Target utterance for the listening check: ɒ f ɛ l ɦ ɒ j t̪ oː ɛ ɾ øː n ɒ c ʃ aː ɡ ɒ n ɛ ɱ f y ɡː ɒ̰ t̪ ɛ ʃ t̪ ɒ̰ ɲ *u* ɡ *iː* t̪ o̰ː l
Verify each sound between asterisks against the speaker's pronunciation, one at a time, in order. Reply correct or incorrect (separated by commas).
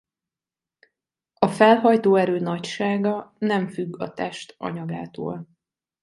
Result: incorrect, incorrect